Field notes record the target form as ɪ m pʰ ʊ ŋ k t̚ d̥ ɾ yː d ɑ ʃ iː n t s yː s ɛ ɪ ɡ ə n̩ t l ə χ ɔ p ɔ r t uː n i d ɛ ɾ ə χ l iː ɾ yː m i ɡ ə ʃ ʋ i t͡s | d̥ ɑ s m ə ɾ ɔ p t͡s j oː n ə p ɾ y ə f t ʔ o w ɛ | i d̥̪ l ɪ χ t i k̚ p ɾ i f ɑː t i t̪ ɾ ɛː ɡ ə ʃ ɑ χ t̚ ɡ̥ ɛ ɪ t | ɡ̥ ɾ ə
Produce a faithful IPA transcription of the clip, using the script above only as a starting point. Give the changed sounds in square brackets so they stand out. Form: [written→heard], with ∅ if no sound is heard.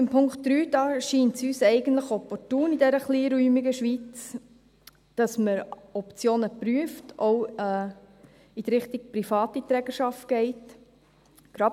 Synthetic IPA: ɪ m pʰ ʊ ŋ k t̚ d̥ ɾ yː d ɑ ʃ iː n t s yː s ɛ ɪ ɡ ə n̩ t l ə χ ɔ p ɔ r t uː n i d ɛ ɾ ə χ l iː ɾ yː m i ɡ ə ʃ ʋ i t͡s | d̥ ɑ s m ə ɾ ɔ p t͡s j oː n ə p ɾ y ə f t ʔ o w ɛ | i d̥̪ [l→ɾ] ɪ χ t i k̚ p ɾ i f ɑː t i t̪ ɾ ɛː ɡ ə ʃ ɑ [χ→f] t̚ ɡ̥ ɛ ɪ t | ɡ̥ ɾ [ə→ɑ]